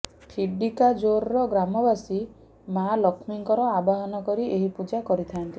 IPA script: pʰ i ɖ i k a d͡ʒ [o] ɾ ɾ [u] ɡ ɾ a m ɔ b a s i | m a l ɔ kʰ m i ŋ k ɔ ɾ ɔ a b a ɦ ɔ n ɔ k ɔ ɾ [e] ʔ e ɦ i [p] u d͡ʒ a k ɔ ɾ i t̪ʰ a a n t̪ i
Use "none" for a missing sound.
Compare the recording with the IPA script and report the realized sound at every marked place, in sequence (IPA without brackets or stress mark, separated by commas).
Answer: o, ɔ, i, p